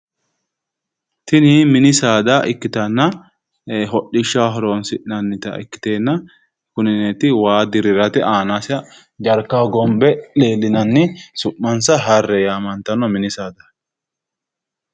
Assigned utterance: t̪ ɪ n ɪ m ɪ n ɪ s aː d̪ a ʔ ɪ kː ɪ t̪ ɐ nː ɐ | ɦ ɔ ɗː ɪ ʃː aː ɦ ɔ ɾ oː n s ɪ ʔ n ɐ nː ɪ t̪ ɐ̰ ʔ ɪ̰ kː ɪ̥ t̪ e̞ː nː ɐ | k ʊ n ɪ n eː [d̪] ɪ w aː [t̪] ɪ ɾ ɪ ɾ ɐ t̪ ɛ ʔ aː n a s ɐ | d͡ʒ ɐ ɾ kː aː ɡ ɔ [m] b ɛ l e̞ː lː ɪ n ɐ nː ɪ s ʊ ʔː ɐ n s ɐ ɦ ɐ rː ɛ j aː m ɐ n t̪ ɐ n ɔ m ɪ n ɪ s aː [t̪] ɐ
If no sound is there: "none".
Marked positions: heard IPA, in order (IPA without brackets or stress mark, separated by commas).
t̪, d̪, m, d̪